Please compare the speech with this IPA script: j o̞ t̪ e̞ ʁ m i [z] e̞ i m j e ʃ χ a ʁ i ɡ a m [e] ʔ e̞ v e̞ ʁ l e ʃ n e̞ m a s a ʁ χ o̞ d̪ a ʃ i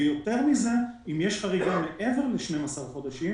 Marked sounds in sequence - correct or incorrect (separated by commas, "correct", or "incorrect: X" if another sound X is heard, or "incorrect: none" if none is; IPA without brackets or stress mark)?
correct, correct